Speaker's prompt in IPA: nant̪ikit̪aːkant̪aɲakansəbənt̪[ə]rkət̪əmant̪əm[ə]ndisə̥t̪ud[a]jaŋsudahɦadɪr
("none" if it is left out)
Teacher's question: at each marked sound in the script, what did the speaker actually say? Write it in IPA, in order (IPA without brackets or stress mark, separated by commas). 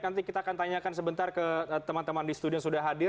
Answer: a, a, i